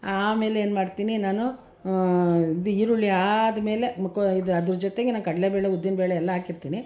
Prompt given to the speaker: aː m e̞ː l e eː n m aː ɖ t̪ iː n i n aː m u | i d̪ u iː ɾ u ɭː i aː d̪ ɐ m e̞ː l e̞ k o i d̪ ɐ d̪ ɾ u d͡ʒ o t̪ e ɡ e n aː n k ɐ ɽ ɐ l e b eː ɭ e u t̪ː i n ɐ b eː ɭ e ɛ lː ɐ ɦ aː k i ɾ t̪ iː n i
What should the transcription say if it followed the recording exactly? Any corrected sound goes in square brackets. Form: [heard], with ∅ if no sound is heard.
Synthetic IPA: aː m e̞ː l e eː n m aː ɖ t̪ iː n i n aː [n] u | i d̪ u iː ɾ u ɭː i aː d̪ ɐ m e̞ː l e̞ k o i d̪ ɐ d̪ ɾ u d͡ʒ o t̪ e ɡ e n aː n k ɐ ɽ ɐ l e b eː ɭ e u [d̪ː] i n ɐ b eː ɭ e ɛ lː ɐ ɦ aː k i ɾ t̪ iː n i